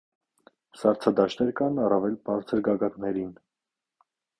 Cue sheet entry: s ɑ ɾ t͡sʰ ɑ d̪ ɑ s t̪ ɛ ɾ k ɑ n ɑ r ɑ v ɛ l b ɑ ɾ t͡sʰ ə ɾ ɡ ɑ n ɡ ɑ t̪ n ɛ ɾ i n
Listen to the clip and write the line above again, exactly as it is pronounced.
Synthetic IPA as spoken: s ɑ ɾ t͡sʰ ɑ d̪ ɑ ʃ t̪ ɛ ɾ k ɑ n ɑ r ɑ v ɛ l b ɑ ɾ t͡sʰ ə ɾ ɡ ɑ ɡ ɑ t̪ n ɛ ɾ i n